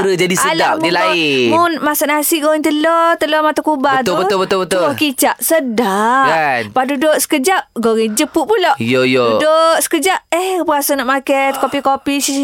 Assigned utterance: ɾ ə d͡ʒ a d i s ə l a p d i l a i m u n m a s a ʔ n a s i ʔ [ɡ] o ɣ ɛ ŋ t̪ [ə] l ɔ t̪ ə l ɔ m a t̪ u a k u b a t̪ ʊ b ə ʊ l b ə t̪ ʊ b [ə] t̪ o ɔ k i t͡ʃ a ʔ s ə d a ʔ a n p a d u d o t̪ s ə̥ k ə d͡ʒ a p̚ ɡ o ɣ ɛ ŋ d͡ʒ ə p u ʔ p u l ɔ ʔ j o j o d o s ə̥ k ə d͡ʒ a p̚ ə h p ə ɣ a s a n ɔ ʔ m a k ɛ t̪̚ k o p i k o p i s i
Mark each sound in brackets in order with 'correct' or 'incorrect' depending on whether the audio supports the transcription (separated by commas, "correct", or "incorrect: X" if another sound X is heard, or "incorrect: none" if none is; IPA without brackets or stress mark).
correct, correct, correct